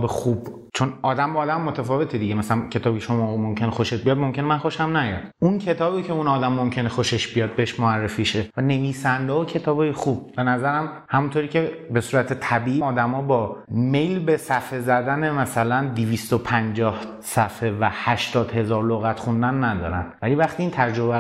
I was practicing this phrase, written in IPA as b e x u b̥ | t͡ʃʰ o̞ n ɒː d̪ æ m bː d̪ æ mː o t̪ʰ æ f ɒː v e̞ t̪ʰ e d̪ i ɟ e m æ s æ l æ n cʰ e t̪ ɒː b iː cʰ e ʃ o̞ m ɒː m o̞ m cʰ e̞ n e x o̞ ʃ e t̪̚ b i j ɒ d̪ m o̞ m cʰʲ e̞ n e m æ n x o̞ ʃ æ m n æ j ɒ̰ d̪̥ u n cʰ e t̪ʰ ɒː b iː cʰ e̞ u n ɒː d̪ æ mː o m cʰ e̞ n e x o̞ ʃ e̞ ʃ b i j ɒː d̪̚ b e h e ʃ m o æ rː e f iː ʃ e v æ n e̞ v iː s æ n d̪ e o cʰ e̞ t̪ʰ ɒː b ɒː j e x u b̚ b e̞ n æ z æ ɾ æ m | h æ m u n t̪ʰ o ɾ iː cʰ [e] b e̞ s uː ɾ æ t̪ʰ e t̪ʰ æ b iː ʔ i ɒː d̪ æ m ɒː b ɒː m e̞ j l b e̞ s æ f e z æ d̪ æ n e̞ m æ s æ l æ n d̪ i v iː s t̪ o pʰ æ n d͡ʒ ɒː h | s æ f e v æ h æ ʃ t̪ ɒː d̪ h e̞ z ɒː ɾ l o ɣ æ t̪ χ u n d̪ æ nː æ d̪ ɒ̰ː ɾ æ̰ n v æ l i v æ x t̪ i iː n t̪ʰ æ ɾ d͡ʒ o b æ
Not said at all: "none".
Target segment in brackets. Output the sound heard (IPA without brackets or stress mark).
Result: e